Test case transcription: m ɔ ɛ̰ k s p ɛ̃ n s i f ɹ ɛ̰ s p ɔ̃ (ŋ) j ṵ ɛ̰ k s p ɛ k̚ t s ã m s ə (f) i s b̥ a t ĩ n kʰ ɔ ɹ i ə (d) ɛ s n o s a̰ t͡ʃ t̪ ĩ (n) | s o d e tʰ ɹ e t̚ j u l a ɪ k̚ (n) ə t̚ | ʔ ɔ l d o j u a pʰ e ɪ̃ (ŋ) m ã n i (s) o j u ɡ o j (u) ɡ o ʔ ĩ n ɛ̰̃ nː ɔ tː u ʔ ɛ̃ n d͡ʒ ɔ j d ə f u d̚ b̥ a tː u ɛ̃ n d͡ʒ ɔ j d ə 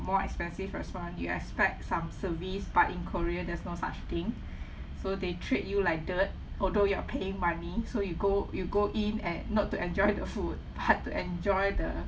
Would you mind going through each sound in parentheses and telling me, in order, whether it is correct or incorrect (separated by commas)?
incorrect, incorrect, correct, incorrect, incorrect, correct, correct, correct